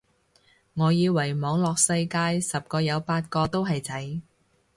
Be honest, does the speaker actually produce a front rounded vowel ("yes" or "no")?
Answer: no